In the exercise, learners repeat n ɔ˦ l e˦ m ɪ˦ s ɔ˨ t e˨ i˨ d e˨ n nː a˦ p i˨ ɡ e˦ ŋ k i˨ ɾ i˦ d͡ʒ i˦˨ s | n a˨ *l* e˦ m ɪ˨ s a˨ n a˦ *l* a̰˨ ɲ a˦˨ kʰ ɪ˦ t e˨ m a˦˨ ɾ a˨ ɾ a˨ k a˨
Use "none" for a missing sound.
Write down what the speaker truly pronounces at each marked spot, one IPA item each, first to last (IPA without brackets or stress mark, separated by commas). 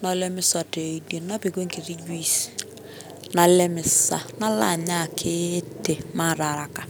l, l